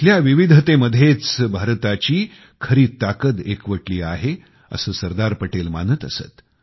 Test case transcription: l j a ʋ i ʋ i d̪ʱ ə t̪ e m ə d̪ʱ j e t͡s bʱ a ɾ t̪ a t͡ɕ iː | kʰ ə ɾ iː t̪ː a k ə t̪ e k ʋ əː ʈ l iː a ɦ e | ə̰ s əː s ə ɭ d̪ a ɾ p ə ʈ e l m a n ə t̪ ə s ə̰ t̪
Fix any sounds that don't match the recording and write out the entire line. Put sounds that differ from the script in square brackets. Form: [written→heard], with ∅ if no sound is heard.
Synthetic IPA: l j a ʋ i ʋ i d̪ʱ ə t̪ e m ə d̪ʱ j e t͡s bʱ a ɾ t̪ a t͡ɕ iː | kʰ ə ɾ iː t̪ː a k ə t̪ e k ʋ [əː→ə] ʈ l iː a ɦ e | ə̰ s əː s ə [ɭ→ɾ] d̪ a ɾ p ə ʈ e l m a n ə t̪ ə s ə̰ t̪